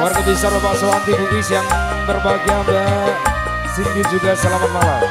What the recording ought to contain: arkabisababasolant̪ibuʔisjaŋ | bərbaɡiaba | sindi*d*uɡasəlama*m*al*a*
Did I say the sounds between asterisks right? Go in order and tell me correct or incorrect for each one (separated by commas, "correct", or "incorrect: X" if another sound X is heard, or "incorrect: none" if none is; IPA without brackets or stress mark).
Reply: incorrect: d͡ʒ, correct, correct